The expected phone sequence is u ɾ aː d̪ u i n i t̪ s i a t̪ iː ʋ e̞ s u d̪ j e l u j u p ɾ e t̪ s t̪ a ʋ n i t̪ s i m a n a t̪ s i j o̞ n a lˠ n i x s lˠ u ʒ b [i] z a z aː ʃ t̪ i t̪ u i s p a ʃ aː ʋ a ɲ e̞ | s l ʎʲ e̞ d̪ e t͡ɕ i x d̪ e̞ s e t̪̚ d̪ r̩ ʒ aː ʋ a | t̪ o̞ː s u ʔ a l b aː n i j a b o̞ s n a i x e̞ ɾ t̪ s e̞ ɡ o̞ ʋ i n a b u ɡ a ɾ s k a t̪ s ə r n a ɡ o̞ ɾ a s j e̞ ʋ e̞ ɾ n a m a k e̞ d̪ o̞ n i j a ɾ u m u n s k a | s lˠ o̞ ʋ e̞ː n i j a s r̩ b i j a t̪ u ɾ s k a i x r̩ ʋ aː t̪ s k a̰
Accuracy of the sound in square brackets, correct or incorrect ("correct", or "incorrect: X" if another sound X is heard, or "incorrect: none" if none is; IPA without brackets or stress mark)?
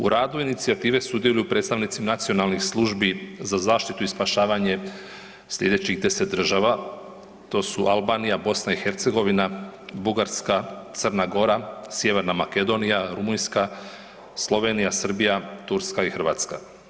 correct